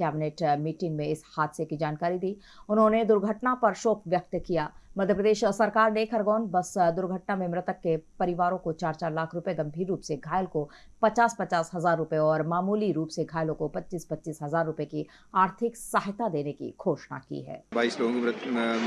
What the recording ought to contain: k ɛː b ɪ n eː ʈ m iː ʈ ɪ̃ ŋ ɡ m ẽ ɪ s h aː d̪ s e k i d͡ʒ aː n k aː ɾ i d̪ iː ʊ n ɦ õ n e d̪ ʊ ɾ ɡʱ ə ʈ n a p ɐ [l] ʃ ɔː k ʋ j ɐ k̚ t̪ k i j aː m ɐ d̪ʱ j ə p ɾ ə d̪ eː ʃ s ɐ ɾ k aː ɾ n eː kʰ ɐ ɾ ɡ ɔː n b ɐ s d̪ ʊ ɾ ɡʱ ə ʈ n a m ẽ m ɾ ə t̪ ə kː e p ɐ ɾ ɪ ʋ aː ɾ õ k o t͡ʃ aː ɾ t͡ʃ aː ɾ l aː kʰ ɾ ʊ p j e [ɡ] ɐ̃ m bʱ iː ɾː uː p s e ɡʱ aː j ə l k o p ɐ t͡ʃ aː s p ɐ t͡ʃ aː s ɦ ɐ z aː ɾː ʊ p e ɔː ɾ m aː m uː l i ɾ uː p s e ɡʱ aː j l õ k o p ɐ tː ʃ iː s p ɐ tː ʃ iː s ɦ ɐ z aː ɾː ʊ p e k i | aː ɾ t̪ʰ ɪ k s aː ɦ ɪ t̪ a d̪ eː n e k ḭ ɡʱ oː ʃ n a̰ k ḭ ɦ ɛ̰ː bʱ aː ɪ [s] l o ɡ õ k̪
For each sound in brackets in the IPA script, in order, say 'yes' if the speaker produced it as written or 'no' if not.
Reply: no, yes, yes

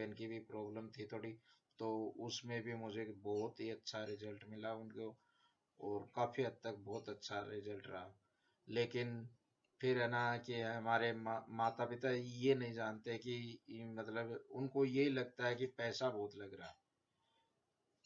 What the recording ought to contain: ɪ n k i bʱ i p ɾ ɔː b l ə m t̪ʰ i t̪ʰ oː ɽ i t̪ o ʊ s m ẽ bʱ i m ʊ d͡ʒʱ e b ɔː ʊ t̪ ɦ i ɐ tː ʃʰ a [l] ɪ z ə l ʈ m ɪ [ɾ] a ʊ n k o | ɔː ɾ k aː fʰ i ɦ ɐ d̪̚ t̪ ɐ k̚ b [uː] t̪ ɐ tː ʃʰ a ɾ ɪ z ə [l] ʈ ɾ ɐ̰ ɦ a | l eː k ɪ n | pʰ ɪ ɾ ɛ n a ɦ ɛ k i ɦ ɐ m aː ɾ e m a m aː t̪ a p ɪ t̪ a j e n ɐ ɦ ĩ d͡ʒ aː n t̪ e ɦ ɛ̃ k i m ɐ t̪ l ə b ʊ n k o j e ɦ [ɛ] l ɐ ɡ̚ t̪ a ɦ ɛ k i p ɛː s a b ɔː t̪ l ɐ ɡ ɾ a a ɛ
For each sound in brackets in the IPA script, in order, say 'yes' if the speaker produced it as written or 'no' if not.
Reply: no, no, no, yes, no

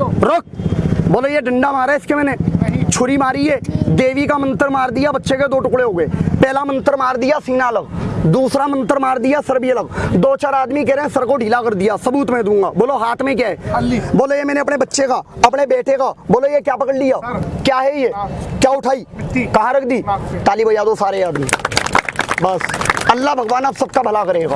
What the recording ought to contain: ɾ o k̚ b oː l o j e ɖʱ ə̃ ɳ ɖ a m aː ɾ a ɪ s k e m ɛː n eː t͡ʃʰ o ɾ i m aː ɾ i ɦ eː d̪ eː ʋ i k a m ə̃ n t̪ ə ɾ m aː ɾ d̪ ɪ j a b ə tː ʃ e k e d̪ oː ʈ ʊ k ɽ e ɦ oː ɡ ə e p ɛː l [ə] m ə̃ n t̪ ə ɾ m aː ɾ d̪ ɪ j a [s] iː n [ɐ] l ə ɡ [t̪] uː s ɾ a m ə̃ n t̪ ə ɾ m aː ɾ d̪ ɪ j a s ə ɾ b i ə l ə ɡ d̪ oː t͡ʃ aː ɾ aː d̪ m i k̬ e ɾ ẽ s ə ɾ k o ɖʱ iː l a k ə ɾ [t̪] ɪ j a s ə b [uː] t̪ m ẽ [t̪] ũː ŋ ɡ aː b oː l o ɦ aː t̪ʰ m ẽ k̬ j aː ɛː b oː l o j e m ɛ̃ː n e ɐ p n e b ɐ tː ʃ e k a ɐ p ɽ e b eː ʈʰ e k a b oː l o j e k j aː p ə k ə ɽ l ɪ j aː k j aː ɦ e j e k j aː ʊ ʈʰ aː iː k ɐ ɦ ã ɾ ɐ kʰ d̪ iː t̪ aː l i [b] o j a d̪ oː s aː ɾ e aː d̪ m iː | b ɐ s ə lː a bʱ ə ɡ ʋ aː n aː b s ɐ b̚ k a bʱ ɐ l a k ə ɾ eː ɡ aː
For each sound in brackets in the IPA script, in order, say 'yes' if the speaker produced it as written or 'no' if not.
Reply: no, yes, no, no, no, yes, no, yes

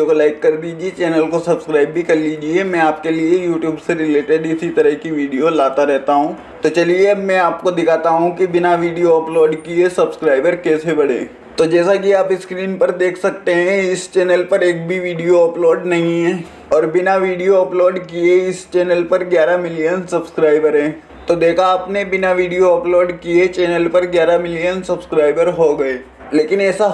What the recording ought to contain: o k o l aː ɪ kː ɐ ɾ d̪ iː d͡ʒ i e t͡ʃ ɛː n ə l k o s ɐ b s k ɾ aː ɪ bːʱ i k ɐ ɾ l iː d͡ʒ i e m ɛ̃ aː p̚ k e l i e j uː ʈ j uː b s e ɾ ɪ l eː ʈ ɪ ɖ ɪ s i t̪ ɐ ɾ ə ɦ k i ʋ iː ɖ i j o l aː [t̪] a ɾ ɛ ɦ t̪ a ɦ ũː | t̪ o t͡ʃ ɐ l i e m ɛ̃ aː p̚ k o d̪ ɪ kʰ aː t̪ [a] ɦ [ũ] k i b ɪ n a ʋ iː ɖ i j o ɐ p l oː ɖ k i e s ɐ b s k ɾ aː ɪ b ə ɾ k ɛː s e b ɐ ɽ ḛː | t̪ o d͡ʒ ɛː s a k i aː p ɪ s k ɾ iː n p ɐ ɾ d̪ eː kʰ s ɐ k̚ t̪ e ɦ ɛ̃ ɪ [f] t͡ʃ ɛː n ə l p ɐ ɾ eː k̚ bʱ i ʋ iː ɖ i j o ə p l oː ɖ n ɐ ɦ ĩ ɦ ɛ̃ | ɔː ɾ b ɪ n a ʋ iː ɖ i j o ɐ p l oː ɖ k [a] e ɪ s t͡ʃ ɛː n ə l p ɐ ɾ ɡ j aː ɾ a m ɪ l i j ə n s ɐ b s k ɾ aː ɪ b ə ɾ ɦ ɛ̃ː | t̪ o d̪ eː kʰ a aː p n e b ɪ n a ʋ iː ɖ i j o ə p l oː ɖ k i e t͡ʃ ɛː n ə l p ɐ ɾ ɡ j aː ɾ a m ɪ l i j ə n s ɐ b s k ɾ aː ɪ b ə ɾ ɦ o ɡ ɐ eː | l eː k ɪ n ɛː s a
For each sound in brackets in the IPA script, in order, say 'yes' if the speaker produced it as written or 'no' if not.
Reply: yes, yes, yes, no, no

